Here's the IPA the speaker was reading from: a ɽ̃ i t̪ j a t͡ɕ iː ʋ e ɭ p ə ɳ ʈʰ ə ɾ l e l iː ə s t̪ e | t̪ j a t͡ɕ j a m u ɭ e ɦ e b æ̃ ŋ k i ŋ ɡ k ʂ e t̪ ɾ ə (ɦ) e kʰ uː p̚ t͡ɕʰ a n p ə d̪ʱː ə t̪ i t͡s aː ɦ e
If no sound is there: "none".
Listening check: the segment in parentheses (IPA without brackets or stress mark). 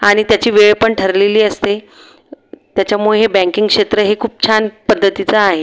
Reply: ɦ